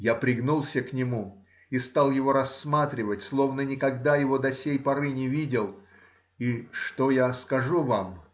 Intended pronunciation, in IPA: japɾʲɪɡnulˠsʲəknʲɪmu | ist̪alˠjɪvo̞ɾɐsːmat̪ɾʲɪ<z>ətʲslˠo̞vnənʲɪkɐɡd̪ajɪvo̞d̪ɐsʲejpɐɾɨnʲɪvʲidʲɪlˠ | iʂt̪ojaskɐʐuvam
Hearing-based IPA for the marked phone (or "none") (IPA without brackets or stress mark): v